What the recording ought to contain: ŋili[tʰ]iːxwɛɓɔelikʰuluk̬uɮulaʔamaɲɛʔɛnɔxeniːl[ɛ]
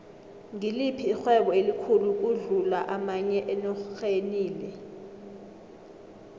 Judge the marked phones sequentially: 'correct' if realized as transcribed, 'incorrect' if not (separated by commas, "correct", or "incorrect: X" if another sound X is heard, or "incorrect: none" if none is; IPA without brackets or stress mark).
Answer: incorrect: pʰ, correct